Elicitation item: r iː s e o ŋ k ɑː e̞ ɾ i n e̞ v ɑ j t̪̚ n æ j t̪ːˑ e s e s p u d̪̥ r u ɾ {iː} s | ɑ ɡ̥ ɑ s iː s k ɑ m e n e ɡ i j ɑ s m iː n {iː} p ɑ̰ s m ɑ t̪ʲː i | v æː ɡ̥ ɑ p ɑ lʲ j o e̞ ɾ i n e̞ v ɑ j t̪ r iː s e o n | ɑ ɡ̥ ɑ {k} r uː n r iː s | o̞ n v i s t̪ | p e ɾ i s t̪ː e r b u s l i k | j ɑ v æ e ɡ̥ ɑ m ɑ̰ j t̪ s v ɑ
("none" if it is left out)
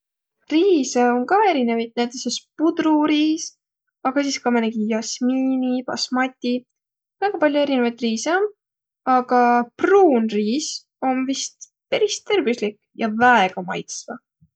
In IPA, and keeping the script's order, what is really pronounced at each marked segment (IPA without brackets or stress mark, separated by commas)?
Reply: iː, i, p